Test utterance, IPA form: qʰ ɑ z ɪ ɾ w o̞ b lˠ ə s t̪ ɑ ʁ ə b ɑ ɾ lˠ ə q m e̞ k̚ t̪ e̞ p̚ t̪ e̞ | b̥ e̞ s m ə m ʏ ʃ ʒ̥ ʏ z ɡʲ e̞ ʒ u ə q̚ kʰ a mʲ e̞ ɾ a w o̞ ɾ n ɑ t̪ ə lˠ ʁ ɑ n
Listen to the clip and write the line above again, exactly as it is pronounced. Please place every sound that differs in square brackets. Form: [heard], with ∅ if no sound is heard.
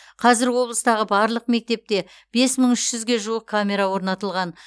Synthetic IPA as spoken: qʰ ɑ z ɪ ɾ w o̞ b lˠ ə s t̪ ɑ ʁ ə b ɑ ɾ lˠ ə q m e̞ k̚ t̪ e̞ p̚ t̪ e̞ | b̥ e̞ s m ə [ɴ] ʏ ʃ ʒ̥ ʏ z ɡʲ e̞ ʒ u ə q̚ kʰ a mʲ e̞ ɾ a w o̞ ɾ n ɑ t̪ ə lˠ ʁ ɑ n